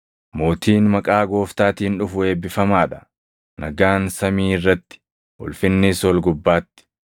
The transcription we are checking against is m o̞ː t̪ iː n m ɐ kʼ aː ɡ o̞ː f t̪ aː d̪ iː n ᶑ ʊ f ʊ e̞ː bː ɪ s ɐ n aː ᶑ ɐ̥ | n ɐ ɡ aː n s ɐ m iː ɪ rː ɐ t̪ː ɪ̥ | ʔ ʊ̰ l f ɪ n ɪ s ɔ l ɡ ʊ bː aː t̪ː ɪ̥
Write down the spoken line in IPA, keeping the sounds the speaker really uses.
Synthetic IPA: m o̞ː t̪ iː n m ɐ kʼ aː ɡ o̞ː f t̪ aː t̪ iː n ᶑ ʊ f ʊ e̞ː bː ɪ f ɐ m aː ᶑ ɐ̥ | n ɐ ɡ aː n s ɐ m iː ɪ rː ɐ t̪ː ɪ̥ | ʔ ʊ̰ l f ɪ nː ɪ s ɔ l ɡ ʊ bː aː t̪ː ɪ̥